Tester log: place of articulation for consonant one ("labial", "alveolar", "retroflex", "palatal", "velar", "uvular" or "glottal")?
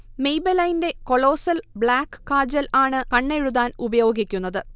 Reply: labial